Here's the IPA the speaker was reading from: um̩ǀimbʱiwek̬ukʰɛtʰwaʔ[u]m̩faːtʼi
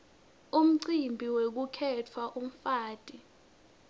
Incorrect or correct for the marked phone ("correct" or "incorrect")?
correct